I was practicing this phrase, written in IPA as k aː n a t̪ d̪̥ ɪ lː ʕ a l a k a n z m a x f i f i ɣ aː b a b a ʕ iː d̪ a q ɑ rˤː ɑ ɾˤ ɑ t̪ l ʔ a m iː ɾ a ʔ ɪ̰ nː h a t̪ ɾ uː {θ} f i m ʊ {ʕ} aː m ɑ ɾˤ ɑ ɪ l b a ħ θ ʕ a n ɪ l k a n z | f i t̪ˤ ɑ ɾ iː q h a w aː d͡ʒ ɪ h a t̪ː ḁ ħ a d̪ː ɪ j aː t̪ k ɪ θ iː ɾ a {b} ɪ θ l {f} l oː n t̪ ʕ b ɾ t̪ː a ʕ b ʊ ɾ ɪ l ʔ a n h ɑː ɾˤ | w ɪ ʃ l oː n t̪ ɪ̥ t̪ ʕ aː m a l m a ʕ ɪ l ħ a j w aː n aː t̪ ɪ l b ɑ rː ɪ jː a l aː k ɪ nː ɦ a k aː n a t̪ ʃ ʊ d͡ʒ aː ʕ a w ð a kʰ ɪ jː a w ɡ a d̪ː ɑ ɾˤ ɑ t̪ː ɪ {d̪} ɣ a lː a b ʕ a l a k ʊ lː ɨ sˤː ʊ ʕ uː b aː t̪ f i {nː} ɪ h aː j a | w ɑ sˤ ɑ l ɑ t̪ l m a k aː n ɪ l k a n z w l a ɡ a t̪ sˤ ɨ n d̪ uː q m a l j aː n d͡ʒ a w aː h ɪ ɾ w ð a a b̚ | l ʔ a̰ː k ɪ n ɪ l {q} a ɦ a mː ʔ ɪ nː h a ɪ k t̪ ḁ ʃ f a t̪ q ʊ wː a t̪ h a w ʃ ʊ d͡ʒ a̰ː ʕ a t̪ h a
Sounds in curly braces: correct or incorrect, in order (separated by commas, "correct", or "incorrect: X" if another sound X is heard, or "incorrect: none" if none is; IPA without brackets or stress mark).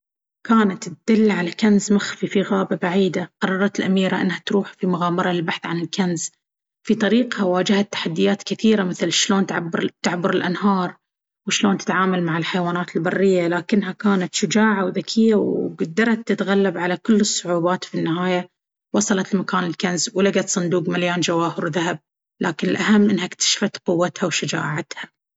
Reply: incorrect: ħ, incorrect: ɣ, incorrect: m, incorrect: ʃ, incorrect: t̪, correct, incorrect: ʔ